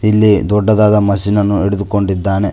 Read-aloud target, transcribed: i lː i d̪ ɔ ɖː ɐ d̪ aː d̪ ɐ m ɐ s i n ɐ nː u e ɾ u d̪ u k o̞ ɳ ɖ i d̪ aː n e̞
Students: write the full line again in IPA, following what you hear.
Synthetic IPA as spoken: i lː i d̪ ɔ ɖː ɐ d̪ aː d̪ ɐ m ɐ s i n ɐ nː u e ɽ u d̪ u k o̞ ɳ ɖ i d̪ː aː n e̞